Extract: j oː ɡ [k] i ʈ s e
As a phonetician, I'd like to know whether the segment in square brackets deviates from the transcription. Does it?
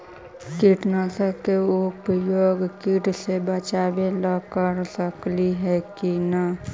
no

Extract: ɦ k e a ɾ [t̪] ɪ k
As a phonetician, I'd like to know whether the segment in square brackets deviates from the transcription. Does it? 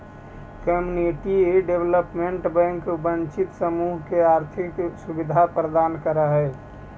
yes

